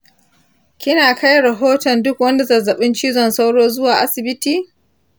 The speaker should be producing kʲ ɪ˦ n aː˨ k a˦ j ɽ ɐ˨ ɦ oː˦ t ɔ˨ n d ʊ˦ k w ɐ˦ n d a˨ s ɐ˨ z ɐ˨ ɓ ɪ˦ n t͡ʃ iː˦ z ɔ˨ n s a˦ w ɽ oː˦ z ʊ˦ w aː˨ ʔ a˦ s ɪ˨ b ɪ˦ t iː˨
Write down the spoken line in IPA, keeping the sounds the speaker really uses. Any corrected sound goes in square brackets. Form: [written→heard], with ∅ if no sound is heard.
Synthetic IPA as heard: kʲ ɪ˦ n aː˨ k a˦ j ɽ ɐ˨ ɦ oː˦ t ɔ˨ n d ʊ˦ k w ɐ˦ n d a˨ [s→z] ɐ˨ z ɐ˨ ɓ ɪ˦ n t͡ʃ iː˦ z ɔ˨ n s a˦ w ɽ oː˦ z ʊ˦ w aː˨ ʔ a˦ s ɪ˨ b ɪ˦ t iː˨